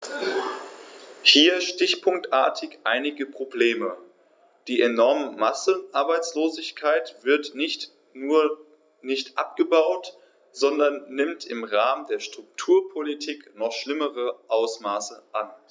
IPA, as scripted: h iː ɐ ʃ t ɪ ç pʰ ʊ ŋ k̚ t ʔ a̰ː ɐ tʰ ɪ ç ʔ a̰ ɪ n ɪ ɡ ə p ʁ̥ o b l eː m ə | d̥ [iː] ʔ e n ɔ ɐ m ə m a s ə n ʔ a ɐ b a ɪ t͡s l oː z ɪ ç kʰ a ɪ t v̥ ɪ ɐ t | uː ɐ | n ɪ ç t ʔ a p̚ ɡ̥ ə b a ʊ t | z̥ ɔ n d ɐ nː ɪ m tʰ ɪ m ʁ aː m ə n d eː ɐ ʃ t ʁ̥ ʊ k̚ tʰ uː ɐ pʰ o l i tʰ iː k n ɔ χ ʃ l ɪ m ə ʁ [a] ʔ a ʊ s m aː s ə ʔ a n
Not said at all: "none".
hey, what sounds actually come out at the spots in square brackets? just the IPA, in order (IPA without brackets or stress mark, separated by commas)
iː, ə